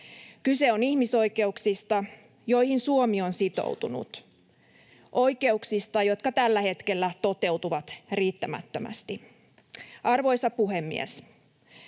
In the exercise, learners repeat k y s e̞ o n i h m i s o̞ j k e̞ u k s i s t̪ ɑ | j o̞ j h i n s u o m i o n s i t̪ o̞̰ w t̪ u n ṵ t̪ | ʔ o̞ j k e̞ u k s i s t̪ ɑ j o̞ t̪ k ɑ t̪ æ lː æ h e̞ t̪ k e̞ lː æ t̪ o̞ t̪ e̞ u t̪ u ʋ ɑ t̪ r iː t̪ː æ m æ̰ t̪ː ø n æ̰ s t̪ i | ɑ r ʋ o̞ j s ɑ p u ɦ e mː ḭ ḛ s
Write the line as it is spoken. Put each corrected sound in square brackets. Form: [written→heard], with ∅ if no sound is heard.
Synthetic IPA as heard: k y s e̞ o n i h m i s o̞ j k e̞ u k s i s t̪ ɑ | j o̞ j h i n s u o m i o n s i t̪ o̞̰ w t̪ u n ṵ t̪ | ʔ o̞ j k e̞ u k s i s t̪ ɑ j o̞ t̪ k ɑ t̪ æ lː æ h e̞ t̪ k e̞ lː æ t̪ o̞ t̪ e̞ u t̪ u ʋ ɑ t̪ r iː t̪ː æ m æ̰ t̪ː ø [n→m] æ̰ s t̪ i | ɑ r ʋ o̞ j s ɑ p u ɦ e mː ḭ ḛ s

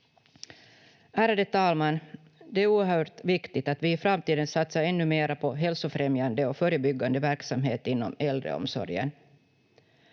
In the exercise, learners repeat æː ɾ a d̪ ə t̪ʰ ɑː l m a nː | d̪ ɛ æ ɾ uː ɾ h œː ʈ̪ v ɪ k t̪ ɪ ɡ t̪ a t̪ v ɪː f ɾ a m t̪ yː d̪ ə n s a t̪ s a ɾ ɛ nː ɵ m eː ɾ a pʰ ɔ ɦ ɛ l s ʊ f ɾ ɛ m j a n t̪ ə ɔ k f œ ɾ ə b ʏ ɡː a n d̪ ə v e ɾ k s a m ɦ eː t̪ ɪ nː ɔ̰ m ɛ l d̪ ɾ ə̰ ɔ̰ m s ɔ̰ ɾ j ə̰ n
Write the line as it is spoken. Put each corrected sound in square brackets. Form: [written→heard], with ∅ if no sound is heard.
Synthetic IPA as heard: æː ɾ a d̪ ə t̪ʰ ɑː l m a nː | d̪ ɛ æ ɾ uː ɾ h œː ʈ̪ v ɪ k t̪ ɪ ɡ t̪ a t̪ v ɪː f ɾ a m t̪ [yː→iː] d̪ ə n s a t̪ s a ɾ ɛ nː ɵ m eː ɾ a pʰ ɔ ɦ ɛ l s ʊ f ɾ ɛ m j a n [t̪→d̪] ə ɔ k f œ ɾ ə b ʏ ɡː a n d̪ ə v [e→æ] ɾ k s a m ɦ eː t̪ ɪ nː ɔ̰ m ɛ l d̪ ɾ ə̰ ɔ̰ m s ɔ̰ ɾ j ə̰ n

